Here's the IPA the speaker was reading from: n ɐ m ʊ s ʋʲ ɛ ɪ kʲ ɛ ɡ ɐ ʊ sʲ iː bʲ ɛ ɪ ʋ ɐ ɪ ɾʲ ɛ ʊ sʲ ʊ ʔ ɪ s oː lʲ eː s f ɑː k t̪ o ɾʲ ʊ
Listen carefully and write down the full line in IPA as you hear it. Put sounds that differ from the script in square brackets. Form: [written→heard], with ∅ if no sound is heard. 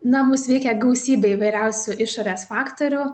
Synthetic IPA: n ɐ m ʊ s ʋʲ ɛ ɪ kʲ ɛ ɡ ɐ ʊ sʲ iː bʲ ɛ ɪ ʋ ɐ ɪ ɾʲ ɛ ʊ sʲ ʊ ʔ ɪ [s→ʃ] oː [lʲ→ɾʲ] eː s f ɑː k t̪ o ɾʲ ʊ